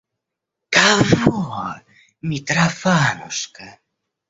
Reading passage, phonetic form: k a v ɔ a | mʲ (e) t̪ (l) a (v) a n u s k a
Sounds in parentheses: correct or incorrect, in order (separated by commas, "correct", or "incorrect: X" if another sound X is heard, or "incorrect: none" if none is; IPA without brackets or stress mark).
incorrect: i, incorrect: ɾ, incorrect: f